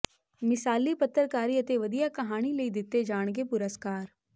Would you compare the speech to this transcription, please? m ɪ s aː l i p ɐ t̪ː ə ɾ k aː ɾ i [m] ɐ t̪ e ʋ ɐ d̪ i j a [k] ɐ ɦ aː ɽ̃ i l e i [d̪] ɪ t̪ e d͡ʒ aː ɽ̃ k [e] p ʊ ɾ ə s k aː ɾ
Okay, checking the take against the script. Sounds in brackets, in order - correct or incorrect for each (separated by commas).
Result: incorrect, correct, correct, correct